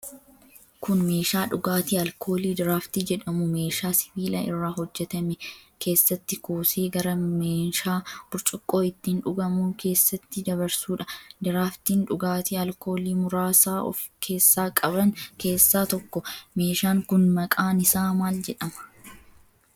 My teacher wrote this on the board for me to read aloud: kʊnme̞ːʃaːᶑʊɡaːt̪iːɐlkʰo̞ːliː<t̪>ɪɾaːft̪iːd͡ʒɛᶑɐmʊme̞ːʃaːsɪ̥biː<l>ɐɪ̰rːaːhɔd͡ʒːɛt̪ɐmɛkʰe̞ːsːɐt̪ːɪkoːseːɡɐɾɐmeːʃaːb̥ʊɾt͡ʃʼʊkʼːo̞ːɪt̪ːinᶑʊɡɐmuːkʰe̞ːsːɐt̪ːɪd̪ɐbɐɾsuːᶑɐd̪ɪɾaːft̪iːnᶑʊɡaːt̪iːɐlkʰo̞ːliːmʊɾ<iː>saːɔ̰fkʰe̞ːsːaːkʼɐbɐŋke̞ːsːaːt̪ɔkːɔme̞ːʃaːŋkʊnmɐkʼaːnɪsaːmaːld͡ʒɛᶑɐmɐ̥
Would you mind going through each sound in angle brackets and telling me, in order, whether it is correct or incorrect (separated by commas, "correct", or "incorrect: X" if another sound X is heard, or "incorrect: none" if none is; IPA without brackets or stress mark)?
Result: incorrect: d̪, correct, incorrect: aː